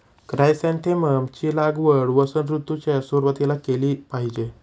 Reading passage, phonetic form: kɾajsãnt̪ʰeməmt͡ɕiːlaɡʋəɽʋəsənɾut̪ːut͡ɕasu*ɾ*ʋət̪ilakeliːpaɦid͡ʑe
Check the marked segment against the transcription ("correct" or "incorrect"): correct